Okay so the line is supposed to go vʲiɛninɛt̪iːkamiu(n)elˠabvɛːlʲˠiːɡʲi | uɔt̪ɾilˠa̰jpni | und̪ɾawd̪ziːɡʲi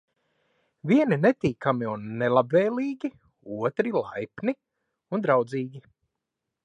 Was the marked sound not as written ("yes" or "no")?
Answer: yes